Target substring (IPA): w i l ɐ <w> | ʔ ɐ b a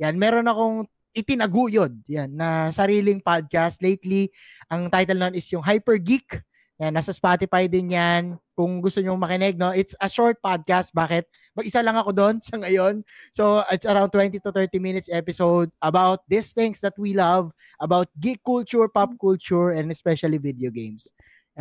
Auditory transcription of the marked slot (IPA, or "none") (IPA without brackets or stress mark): v